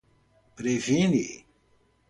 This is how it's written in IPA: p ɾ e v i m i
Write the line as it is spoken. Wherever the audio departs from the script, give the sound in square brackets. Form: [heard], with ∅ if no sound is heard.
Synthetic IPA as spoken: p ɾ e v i [n] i